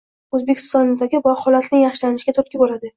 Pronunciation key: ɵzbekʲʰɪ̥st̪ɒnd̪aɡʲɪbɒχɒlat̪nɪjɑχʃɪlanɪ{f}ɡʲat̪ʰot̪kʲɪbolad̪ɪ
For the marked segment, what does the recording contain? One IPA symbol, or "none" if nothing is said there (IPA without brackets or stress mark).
ʃ